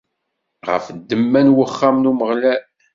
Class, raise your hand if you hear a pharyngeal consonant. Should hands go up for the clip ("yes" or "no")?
no